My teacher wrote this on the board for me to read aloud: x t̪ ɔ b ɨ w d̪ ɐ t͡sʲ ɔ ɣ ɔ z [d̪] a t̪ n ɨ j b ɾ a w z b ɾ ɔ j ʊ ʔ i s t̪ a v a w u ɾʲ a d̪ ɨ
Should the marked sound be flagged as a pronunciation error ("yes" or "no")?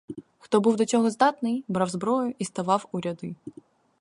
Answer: no